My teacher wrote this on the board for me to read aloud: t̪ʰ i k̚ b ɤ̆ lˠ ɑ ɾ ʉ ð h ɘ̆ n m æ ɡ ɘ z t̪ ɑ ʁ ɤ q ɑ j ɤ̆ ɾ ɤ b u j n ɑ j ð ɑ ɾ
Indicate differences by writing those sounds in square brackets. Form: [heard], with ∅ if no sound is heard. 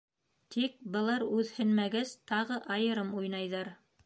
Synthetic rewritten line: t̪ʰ i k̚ b ɤ̆ lˠ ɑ ɾ ʉ ð h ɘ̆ n m æ ɡ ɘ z t̪ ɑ ʁ ɤ [ʔ] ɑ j ɤ̆ ɾ ɤ [m] u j n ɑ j ð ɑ ɾ